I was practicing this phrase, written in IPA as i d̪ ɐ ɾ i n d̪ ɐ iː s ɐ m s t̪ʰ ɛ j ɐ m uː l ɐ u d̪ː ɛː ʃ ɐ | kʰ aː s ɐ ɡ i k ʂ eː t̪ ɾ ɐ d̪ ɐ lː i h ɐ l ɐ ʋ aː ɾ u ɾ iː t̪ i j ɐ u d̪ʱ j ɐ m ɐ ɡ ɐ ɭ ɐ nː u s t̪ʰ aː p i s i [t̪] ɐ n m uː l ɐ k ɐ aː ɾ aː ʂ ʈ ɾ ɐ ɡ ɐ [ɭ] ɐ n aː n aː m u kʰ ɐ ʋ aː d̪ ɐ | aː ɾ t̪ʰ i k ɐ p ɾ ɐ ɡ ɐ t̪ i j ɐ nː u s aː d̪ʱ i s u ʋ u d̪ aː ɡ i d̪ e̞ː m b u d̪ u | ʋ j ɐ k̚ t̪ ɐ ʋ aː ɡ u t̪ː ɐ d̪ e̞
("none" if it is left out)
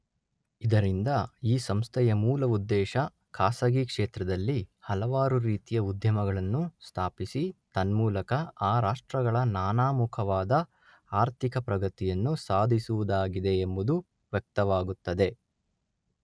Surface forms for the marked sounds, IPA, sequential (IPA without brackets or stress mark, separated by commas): t̪, ɭ